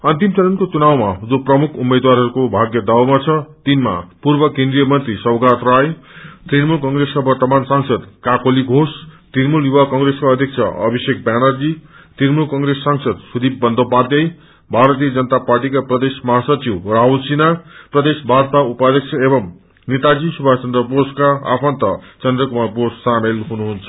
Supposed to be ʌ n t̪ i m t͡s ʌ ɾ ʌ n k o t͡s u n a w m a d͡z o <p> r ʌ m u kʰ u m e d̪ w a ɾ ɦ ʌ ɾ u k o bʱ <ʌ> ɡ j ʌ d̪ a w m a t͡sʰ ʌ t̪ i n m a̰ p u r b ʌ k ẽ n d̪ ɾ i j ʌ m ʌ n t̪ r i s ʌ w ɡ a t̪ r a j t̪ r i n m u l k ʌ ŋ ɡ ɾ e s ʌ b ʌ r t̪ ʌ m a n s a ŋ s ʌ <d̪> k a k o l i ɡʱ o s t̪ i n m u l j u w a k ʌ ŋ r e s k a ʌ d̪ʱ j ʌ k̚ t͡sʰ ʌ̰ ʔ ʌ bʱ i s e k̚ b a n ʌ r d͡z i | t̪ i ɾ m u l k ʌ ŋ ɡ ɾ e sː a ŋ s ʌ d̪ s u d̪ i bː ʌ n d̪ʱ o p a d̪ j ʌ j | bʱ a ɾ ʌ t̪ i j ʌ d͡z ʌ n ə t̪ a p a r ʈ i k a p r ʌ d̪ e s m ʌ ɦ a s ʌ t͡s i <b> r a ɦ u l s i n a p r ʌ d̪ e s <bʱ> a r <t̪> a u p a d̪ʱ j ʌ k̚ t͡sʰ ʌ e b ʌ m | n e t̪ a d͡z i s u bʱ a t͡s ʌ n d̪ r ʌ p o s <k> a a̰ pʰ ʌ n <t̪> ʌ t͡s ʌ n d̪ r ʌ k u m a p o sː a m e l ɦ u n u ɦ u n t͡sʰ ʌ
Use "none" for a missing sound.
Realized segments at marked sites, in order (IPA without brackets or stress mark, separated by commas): p, a, d̪, w, bʱ, t̪, k, t̪